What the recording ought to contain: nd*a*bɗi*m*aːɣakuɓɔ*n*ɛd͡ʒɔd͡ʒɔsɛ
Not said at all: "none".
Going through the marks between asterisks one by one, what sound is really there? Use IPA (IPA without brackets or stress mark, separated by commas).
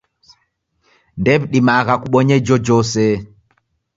ɛ, m, ɲ